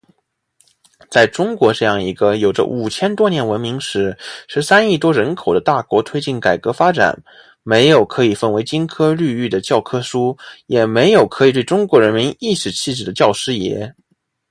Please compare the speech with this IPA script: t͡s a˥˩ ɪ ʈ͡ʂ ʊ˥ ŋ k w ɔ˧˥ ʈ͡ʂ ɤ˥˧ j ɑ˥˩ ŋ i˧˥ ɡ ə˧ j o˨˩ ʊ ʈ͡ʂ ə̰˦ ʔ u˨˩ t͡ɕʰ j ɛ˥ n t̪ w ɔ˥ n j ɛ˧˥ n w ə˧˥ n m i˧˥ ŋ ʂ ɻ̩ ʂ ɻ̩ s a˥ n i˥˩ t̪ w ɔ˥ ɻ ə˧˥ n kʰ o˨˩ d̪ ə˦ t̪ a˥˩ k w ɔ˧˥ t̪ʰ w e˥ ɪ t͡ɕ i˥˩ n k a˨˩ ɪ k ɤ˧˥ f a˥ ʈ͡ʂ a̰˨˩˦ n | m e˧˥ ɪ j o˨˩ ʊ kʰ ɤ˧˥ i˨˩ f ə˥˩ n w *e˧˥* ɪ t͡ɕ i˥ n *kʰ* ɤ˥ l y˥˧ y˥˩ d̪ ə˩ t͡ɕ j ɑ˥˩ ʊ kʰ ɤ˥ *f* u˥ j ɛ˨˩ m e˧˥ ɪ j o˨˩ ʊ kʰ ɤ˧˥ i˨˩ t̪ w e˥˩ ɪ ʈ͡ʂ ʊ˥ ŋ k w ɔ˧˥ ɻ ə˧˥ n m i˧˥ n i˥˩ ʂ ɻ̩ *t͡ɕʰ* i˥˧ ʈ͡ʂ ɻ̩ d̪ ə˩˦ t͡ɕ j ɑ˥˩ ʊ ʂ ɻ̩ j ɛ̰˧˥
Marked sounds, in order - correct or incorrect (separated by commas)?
correct, correct, incorrect, correct